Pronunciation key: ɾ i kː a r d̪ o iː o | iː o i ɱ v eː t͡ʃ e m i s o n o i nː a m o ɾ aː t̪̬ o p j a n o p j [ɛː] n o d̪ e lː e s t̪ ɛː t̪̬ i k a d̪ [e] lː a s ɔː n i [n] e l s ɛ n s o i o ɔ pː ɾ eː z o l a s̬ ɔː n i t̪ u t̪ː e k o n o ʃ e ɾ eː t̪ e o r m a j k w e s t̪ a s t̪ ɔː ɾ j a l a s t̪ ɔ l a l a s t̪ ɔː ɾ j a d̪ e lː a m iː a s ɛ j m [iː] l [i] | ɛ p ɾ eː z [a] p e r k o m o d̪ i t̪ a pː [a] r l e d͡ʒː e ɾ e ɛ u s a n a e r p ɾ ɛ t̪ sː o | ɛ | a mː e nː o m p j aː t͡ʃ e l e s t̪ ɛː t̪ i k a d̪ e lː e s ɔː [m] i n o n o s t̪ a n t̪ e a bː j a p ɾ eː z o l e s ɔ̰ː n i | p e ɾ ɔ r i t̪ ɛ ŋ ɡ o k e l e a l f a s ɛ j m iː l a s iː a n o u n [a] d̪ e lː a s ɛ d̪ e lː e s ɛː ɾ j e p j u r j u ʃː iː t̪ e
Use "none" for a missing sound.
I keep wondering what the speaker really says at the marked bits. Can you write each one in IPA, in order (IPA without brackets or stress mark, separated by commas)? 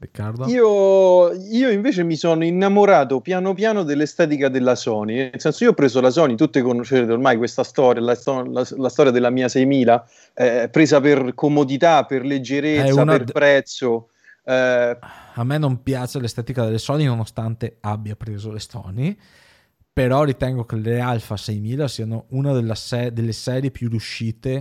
aː, e, n, iː, a, a, e, n, a